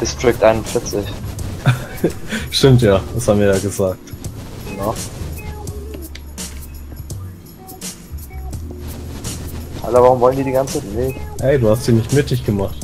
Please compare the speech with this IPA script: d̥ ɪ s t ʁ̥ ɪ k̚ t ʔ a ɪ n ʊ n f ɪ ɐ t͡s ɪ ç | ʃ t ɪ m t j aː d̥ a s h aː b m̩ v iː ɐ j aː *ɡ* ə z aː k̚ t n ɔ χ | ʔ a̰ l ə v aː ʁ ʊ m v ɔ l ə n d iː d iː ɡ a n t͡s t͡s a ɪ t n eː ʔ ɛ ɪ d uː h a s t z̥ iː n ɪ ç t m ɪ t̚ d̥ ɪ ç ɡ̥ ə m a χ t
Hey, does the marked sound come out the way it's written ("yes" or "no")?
yes